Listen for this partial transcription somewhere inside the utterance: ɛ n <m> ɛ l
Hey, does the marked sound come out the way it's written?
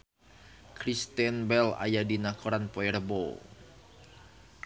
no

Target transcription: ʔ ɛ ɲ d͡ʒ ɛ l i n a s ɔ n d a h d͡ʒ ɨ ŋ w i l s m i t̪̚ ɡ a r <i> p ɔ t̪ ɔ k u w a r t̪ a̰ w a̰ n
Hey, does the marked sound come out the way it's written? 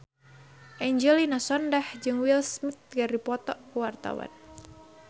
yes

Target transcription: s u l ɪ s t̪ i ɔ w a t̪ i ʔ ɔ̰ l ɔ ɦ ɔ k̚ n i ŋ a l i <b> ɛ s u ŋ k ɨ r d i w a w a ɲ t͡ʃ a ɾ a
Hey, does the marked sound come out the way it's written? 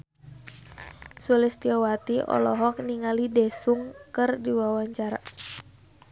no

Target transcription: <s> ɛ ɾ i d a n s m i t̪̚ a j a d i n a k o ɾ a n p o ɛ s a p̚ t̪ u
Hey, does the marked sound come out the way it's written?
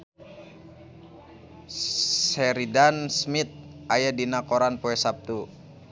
yes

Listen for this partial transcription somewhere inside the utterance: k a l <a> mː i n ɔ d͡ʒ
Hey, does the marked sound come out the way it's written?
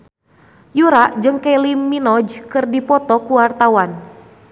no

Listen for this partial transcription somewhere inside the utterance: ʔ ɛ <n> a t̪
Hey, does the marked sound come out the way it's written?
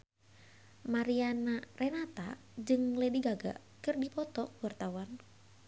yes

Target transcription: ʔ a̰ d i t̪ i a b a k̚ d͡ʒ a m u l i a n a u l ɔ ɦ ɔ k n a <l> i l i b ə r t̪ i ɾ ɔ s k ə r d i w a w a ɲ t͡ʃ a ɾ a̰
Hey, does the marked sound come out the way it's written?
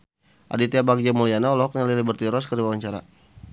yes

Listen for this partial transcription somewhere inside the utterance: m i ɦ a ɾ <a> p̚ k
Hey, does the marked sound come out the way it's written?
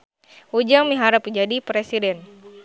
yes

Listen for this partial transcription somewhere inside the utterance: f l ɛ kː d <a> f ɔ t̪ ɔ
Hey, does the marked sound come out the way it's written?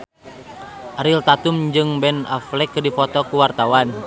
no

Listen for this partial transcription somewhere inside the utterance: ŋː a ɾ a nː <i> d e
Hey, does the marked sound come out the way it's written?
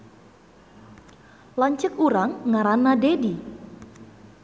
no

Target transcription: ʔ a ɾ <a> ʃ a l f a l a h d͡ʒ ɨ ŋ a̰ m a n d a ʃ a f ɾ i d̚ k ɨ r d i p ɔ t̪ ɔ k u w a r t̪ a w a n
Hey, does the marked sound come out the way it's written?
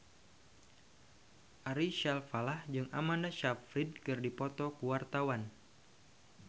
no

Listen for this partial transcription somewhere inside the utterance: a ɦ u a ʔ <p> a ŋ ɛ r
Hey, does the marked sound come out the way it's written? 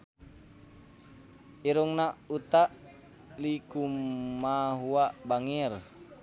no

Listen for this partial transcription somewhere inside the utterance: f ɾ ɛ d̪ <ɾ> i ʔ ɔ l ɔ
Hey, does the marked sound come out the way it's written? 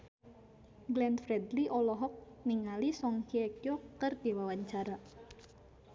no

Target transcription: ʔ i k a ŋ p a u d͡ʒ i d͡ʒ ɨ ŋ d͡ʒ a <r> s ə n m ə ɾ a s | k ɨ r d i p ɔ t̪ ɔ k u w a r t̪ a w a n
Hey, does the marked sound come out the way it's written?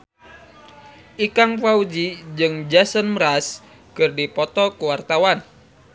no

